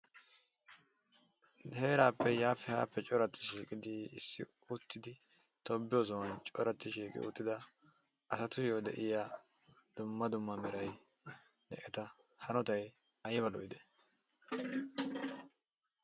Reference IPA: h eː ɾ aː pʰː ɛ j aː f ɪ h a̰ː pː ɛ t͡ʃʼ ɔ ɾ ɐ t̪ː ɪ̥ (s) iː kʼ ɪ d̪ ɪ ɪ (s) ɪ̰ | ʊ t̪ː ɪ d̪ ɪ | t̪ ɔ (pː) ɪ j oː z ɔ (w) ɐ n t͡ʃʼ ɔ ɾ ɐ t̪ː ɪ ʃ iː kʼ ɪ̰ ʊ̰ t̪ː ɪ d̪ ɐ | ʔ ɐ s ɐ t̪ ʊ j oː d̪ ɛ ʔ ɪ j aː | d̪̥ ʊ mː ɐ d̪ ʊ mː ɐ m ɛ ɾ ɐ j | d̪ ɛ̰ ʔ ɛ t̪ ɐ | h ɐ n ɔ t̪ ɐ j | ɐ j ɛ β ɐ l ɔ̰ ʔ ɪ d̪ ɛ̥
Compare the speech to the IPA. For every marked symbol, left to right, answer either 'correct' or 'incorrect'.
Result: incorrect, incorrect, incorrect, correct

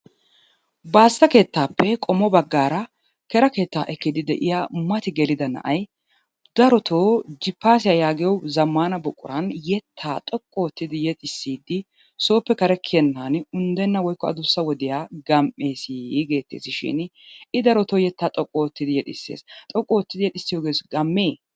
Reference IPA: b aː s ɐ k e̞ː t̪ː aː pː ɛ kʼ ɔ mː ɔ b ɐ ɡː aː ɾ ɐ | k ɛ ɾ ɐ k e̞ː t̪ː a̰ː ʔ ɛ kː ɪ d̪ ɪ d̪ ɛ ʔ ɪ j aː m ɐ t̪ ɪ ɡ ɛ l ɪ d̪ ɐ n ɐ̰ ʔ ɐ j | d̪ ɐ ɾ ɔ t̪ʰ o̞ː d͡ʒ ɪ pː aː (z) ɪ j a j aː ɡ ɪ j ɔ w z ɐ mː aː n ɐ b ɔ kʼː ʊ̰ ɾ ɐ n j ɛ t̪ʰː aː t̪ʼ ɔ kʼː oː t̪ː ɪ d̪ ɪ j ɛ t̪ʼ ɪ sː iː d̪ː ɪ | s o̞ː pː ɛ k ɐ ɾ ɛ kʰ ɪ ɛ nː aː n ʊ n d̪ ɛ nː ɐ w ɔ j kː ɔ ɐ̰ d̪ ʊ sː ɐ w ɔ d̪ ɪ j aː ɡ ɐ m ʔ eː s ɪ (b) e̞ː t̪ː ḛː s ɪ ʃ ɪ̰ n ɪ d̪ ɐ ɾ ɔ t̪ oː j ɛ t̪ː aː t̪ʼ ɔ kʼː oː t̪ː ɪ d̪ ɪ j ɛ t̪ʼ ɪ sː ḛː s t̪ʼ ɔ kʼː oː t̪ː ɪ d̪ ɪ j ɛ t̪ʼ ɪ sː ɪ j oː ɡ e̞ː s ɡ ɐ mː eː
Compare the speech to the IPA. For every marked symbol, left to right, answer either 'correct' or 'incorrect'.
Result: incorrect, incorrect

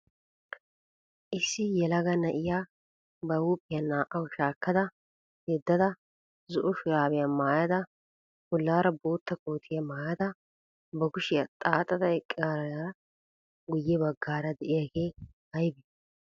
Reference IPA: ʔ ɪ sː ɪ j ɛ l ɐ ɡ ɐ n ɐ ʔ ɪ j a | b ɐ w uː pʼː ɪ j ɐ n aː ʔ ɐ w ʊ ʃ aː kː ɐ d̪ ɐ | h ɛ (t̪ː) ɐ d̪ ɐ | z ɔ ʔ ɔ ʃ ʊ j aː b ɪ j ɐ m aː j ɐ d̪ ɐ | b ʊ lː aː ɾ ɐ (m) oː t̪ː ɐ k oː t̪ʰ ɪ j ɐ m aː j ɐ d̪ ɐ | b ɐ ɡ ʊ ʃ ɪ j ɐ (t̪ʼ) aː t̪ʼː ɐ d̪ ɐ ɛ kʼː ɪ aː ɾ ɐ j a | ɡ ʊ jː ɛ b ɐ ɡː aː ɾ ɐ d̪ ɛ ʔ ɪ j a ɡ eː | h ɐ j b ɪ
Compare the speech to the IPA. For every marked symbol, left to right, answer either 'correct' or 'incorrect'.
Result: incorrect, incorrect, correct

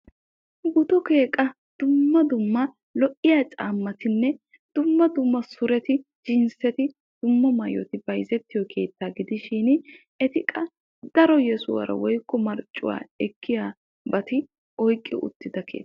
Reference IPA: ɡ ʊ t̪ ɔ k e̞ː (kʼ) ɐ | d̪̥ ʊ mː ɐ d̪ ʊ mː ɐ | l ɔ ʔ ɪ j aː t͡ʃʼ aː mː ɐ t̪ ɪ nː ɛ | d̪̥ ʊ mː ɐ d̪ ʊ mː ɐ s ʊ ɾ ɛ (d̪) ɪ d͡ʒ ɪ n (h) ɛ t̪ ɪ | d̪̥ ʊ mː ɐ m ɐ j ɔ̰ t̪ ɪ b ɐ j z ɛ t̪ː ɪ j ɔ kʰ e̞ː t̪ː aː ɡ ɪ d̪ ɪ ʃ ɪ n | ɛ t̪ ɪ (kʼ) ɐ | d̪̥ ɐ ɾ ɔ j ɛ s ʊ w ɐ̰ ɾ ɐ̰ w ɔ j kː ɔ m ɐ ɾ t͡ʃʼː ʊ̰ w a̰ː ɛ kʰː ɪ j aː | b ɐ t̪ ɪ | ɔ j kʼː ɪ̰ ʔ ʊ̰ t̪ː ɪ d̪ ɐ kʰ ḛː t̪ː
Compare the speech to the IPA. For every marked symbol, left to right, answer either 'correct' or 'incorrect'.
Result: correct, incorrect, incorrect, correct

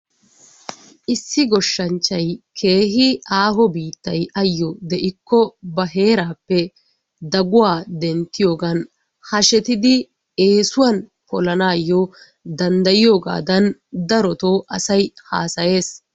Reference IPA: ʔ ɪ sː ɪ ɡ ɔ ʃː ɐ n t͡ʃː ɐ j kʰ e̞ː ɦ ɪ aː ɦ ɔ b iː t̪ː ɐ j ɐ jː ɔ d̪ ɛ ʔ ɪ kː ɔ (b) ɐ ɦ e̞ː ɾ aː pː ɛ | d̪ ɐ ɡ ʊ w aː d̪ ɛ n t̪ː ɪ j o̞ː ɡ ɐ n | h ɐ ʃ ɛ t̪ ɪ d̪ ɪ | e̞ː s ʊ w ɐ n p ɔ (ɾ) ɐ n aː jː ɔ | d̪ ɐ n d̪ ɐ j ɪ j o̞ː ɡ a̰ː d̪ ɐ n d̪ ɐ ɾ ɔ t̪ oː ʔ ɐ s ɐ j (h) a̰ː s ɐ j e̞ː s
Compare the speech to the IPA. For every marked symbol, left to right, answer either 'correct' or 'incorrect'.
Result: correct, incorrect, correct

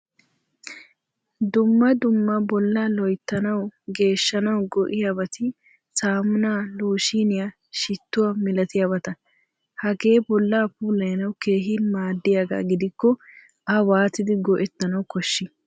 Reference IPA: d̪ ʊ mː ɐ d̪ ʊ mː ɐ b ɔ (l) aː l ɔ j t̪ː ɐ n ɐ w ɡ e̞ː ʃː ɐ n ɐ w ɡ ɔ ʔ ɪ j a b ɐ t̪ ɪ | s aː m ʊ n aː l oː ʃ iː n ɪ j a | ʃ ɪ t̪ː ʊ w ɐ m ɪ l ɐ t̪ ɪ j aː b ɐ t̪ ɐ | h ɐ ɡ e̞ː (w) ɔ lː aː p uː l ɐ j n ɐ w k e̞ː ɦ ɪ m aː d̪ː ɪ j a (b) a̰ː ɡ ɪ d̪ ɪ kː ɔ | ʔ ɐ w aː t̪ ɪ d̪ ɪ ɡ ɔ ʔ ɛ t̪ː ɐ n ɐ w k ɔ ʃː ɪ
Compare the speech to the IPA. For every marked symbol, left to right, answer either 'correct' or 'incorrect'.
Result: incorrect, incorrect, incorrect

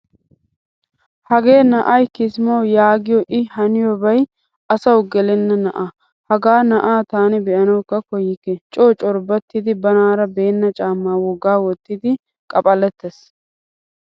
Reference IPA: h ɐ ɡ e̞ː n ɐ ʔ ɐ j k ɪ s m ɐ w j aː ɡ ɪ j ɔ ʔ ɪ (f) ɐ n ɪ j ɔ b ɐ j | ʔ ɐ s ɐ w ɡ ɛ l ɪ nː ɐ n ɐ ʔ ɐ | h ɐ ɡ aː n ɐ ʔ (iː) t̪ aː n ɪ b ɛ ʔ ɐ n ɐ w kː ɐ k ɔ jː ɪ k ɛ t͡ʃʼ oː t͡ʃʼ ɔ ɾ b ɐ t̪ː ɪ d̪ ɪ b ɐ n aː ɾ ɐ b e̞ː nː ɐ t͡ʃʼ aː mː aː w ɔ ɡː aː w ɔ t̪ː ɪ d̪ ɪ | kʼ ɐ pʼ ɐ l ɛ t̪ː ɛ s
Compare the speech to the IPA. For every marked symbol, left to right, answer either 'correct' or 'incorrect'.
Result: incorrect, incorrect

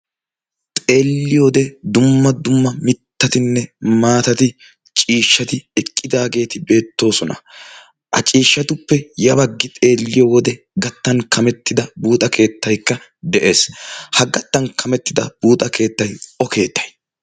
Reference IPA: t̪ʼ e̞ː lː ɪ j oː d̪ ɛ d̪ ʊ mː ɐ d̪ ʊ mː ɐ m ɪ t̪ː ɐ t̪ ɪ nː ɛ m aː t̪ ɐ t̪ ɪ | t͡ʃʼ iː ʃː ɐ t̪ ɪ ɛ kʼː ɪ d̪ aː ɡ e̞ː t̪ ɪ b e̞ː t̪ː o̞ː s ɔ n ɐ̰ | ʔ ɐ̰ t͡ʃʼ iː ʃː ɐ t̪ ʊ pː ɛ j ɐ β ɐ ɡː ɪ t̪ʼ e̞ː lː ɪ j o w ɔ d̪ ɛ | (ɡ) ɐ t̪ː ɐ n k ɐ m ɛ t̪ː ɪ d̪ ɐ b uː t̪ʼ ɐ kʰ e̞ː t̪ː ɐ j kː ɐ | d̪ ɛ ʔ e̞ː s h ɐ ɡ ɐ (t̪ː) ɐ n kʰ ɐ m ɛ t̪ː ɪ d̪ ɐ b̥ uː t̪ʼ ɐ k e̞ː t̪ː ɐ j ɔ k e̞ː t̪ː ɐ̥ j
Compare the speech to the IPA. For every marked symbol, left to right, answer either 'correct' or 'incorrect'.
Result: correct, correct

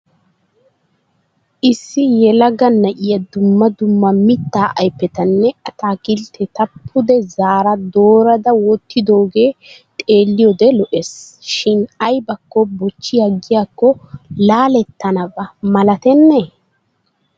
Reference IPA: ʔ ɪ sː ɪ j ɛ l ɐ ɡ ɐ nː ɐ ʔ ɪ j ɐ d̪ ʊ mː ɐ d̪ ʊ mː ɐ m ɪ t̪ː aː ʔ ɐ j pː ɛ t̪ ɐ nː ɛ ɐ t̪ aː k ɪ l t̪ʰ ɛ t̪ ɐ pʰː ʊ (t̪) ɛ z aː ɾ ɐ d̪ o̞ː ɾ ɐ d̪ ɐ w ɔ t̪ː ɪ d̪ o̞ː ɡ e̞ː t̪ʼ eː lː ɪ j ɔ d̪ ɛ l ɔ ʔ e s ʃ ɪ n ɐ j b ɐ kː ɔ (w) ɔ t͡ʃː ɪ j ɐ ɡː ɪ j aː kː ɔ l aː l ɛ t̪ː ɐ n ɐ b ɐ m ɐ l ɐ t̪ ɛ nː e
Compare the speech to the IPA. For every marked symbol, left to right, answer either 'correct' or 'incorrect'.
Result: incorrect, incorrect

